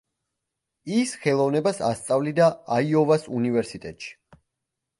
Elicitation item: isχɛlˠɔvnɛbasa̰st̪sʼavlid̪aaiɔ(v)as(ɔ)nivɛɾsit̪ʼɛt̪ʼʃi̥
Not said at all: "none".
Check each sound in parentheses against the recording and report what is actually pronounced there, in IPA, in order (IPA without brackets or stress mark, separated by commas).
v, u